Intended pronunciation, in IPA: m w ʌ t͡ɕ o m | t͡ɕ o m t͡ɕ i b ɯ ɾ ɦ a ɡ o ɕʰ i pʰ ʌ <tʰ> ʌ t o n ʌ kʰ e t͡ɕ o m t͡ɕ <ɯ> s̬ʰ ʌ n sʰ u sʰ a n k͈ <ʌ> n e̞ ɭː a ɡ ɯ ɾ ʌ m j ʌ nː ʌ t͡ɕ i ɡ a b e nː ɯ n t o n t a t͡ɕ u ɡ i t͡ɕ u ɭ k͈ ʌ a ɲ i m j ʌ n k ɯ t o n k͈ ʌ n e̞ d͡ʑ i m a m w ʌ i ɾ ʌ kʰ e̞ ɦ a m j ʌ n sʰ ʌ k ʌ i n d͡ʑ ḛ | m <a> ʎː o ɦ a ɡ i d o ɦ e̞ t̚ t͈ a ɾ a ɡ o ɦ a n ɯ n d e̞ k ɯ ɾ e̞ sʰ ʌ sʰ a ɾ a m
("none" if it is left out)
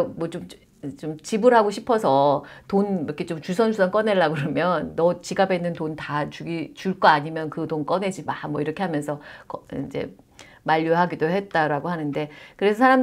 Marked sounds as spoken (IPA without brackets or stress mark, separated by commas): sʰ, u, ʌ, a